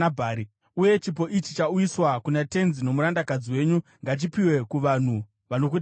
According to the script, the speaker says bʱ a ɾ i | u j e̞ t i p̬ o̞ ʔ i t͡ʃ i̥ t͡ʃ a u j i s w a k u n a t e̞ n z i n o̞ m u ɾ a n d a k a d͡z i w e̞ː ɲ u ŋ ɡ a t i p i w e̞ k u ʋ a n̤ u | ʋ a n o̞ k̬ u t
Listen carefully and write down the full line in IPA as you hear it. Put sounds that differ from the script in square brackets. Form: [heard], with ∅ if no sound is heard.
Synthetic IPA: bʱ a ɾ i | u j e̞ [t͡ʃ] i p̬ o̞ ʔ i t͡ʃ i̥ t͡ʃ a u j i s w a k u n a t e̞ n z i n o̞ m u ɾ a n d a k a d͡z i w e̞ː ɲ u ŋ ɡ a [t͡ʃ] i p i w e̞ k u ʋ a n̤ u | ʋ a n o̞ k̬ u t